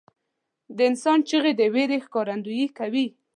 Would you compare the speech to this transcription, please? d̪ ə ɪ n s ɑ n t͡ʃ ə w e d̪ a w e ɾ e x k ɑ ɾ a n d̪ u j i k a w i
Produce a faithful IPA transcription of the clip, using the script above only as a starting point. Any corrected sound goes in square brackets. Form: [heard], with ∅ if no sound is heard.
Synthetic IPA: d̪ ə ɪ n s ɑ n t͡ʃ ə [ɣ] e d̪ [ə] w e ɾ e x k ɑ ɾ a n d̪ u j i k a w i